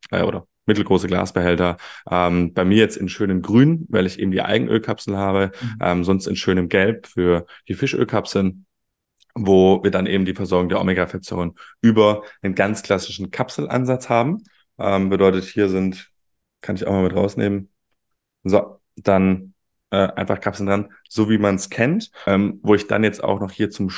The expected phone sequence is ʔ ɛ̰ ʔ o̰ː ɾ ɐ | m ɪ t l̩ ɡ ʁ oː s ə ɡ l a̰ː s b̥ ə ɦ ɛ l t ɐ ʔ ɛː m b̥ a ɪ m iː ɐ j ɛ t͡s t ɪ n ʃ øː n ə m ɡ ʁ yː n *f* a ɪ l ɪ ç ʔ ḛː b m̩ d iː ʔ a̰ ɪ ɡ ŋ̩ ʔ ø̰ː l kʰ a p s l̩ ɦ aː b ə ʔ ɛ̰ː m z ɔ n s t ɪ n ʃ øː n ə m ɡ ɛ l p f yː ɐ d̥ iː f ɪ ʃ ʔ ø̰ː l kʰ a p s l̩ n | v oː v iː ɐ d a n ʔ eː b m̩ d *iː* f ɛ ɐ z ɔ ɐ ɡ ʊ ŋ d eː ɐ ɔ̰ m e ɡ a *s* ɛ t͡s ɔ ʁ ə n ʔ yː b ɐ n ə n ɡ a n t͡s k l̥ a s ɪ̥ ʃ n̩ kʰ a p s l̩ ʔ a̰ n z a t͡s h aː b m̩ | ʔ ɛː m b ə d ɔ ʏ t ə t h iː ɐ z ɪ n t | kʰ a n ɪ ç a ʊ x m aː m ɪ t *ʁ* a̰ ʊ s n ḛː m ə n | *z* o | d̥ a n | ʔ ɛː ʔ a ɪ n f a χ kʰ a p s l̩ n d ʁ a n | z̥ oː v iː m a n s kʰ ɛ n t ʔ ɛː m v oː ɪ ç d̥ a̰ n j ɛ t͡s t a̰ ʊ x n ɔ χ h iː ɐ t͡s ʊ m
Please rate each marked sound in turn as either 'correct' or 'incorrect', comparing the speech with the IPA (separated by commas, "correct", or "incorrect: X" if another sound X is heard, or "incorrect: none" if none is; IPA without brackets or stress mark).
incorrect: v, correct, incorrect: f, correct, correct